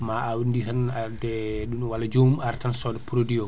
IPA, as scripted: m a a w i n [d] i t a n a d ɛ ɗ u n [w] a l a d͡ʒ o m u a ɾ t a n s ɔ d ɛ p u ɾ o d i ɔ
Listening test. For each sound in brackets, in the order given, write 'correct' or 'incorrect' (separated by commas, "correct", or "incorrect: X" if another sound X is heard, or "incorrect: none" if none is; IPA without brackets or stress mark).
correct, correct